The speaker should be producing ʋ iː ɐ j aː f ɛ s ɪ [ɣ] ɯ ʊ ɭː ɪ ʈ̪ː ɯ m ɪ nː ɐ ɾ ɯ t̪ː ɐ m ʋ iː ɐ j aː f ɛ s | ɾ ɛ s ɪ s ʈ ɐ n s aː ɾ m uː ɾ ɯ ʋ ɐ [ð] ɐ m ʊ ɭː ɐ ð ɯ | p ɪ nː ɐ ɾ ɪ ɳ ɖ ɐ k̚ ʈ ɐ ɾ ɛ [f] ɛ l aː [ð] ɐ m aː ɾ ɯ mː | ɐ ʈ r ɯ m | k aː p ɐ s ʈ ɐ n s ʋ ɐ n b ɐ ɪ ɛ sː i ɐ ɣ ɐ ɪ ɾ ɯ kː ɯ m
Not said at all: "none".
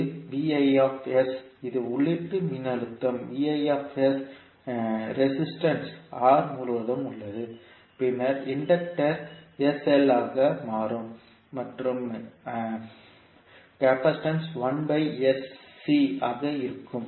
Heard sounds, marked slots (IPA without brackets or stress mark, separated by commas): ð, ð, s, ɣ